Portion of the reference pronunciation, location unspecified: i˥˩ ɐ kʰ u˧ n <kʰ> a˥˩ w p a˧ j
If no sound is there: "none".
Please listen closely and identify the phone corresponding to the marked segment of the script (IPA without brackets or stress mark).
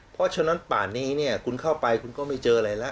kʰ